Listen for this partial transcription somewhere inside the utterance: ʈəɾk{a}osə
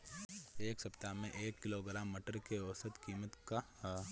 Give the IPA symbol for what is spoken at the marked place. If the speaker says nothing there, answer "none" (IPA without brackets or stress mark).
e